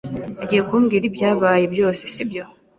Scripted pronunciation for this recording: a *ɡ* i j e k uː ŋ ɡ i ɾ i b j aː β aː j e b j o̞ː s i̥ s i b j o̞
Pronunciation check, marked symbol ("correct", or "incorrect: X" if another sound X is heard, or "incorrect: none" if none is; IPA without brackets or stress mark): incorrect: ɟ